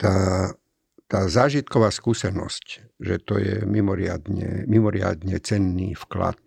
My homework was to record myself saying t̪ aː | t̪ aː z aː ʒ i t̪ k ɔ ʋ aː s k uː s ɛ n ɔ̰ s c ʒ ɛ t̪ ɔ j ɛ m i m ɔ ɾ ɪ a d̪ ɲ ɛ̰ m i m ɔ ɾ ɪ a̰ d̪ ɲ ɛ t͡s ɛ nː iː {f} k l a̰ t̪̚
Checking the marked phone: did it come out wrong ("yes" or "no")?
no